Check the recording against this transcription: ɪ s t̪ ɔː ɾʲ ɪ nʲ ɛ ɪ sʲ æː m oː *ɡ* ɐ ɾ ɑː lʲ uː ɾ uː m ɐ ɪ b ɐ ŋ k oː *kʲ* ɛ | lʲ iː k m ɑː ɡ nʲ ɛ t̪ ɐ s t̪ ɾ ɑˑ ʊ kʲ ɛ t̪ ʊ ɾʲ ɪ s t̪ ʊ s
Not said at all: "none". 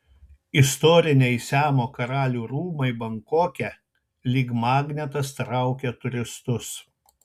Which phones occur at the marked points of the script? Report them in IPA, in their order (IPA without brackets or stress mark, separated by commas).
k, kʲ